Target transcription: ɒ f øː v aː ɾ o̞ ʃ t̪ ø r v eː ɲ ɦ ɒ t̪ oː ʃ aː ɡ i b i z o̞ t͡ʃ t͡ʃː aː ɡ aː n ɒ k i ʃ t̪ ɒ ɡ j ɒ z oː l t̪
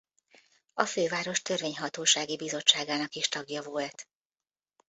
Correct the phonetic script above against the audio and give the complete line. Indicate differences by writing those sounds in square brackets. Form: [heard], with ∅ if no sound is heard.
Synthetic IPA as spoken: ɒ f øː v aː ɾ o̞ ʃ t̪ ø r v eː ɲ ɦ ɒ t̪ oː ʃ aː ɡ i b i z o̞ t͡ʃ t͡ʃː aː ɡ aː n ɒ k i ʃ t̪ ɒ ɡ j ɒ [v] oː l t̪

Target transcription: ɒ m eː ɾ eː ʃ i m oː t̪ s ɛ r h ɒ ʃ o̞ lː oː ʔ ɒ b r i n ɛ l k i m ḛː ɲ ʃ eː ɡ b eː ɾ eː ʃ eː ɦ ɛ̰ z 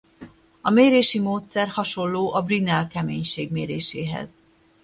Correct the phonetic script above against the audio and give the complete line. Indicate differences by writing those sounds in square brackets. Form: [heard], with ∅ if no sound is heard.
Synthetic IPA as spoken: ɒ m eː ɾ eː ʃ i m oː t̪ s ɛ r h ɒ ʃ o̞ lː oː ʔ ɒ b r i n ɛ l k [ɛ] m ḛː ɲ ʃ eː ɡ [m] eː ɾ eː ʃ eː ɦ ɛ̰ z

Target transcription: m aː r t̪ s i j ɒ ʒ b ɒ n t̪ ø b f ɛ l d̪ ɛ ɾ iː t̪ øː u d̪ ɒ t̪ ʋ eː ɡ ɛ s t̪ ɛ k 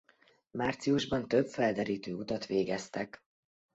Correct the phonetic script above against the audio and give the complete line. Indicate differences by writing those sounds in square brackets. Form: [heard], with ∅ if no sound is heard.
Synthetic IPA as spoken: m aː r t̪ s i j [u] ʒ b ɒ n t̪ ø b f ɛ l d̪ ɛ ɾ iː t̪ øː u [t̪] ɒ t̪ ʋ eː ɡ ɛ s t̪ ɛ k

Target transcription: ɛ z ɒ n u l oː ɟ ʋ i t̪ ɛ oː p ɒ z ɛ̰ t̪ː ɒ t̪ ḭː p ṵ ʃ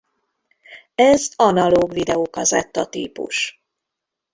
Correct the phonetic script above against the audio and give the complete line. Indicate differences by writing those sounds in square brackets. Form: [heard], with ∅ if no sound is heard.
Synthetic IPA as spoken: ɛ z ɒ n [ɒ] l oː [ɡ] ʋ i [d̪] ɛ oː [k] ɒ z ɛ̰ t̪ː ɒ t̪ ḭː p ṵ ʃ

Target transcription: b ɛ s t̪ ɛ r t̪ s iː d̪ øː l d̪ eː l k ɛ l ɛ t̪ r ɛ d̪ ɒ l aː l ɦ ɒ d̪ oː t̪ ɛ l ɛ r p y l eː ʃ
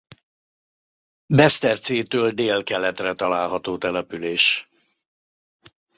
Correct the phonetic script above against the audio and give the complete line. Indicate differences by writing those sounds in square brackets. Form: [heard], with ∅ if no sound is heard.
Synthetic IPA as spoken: b ɛ s t̪ ɛ r t̪ s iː [t̪] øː l d̪ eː l k ɛ l ɛ t̪ r ɛ [t̪] ɒ l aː l ɦ ɒ [t̪] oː t̪ ɛ l ɛ [∅] p y l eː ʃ

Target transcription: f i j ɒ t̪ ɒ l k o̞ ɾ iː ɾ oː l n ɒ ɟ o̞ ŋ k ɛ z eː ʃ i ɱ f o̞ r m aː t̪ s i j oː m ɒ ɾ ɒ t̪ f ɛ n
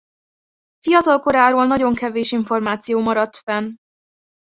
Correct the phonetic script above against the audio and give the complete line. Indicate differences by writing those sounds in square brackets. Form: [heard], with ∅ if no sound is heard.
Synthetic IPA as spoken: f i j ɒ t̪ ɒ l k o̞ ɾ [aː] ɾ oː l n ɒ ɟ o̞ ŋ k ɛ [v] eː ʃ i ɱ f o̞ r m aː t̪ s i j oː m ɒ ɾ ɒ t̪ f ɛ n

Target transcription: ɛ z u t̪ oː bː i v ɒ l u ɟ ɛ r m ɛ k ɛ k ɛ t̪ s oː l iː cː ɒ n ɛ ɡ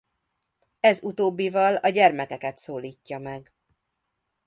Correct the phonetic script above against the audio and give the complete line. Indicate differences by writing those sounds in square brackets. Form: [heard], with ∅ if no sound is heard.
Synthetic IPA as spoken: ɛ z u t̪ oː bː i v ɒ l [ɒ] ɟ ɛ r m ɛ k ɛ k ɛ t̪ s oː l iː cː ɒ [m] ɛ ɡ

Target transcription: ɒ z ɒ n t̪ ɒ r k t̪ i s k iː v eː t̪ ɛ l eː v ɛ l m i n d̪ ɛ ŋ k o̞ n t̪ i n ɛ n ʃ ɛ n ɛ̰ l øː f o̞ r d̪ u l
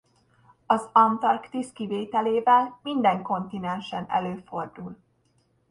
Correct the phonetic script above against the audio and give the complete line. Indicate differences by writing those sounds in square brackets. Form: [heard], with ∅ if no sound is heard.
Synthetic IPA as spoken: ɒ z ɒ n t̪ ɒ r k t̪ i s k [i] v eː t̪ ɛ l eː v ɛ l m i n d̪ ɛ ŋ k o̞ n t̪ i n ɛ n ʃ ɛ n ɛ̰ l øː f o̞ r d̪ u l

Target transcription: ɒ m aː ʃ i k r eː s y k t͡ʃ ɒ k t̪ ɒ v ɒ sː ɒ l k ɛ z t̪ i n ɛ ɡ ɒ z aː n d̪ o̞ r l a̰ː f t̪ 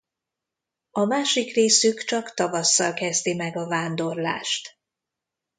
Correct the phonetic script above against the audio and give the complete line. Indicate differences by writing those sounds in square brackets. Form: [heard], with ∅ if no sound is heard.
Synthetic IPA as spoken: ɒ m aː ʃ i k r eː s y k t͡ʃ ɒ k t̪ ɒ v ɒ sː ɒ l k ɛ z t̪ i [m] ɛ ɡ ɒ [v] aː n d̪ o̞ r l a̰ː [ʃ] t̪

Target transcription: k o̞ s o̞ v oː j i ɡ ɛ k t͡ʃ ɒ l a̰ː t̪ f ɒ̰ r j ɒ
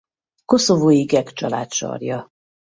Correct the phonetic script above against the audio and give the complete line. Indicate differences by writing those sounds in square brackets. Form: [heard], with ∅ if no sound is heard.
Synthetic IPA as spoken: k o̞ s o̞ v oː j i ɡ ɛ k t͡ʃ ɒ l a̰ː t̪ [ʃ] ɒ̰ r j ɒ

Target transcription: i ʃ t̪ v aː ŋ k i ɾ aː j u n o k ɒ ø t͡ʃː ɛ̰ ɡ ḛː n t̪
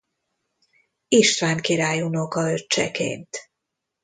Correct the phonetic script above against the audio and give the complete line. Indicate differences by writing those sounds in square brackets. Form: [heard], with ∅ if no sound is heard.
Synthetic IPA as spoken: i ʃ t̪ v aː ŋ k i ɾ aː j u n o k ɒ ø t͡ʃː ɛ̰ [k] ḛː n t̪

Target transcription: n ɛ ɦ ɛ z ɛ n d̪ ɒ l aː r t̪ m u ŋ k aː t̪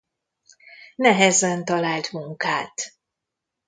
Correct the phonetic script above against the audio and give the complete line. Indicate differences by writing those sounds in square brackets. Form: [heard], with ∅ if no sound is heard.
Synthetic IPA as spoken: n ɛ ɦ ɛ z ɛ n [t̪] ɒ l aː [l] t̪ m u ŋ k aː t̪

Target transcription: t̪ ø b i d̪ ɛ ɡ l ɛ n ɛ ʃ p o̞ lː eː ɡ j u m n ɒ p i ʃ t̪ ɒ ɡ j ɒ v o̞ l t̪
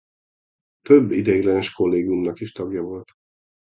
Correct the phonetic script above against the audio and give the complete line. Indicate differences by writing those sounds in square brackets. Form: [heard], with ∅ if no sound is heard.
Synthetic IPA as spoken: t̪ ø [bː] i d̪ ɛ ɡ l ɛ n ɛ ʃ [k] o̞ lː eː ɡ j u m n ɒ [k] i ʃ t̪ ɒ ɡ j ɒ v o̞ l t̪

